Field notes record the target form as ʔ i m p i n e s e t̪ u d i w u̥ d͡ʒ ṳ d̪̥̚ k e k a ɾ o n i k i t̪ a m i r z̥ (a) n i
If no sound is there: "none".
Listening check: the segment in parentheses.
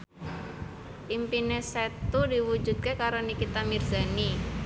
a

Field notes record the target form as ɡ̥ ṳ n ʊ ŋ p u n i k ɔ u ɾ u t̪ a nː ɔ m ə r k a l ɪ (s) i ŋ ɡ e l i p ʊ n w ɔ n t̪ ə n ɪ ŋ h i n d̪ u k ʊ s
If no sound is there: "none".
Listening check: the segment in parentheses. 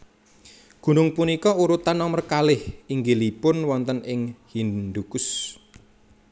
h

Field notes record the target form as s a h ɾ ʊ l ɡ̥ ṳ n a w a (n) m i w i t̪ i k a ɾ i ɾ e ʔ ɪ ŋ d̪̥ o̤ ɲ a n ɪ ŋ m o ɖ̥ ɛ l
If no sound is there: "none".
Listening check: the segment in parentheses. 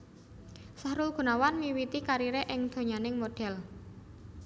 n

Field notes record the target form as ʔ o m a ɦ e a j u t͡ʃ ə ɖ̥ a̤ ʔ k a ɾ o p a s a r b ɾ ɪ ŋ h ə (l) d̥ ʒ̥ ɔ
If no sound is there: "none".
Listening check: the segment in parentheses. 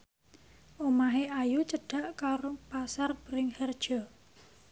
r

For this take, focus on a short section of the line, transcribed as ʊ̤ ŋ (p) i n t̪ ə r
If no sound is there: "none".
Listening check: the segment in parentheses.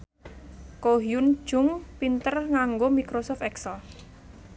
p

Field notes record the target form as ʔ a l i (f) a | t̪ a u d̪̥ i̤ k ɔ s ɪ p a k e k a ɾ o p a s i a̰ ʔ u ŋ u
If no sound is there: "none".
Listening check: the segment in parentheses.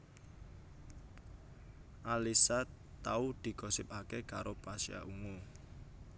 s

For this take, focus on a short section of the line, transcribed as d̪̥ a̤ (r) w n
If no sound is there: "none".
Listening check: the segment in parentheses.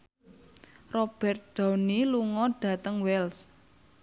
none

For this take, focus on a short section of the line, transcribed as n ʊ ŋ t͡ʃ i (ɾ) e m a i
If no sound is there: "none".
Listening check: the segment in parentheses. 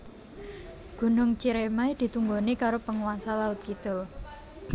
ɾ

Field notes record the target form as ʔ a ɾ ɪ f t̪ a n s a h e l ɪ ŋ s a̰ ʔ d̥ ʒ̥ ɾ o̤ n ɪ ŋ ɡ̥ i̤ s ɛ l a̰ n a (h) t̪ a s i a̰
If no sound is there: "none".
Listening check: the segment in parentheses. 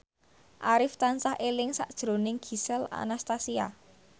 s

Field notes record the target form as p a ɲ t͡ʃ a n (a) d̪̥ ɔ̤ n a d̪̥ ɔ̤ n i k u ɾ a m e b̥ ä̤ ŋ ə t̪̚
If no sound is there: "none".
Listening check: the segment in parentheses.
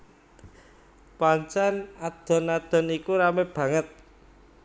a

